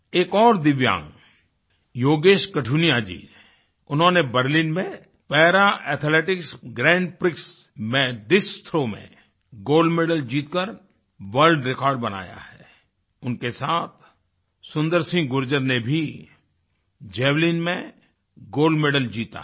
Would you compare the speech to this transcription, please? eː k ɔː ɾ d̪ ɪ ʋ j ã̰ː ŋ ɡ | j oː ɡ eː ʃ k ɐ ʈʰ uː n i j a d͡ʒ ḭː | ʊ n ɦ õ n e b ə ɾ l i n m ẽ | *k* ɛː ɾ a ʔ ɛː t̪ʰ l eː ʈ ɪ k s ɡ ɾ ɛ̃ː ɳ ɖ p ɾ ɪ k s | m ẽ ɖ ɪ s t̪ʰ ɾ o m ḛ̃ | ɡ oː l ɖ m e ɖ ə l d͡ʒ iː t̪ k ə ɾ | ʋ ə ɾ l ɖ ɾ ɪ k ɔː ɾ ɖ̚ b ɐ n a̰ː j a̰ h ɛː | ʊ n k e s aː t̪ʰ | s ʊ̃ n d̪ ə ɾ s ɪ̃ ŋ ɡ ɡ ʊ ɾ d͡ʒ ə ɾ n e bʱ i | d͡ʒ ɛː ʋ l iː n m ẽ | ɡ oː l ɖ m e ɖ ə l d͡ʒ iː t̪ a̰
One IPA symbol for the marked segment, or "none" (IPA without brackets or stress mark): p